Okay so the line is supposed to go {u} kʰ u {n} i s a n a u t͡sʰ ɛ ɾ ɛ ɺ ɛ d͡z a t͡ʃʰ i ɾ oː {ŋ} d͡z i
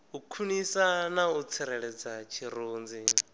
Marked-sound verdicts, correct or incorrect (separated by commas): correct, correct, incorrect